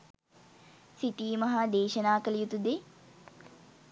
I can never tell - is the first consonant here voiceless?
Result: yes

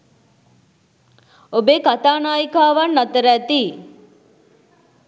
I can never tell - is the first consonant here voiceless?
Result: no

